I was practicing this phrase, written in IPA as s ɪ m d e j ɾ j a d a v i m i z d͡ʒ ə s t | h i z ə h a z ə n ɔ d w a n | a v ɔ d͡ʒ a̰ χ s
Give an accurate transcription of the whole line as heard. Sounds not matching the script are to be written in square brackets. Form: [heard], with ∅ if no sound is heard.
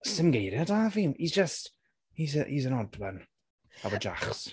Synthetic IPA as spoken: s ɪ m [ɡ] e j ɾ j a d a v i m i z d͡ʒ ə s t | h i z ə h [i] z ə n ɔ d w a n | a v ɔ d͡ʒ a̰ χ s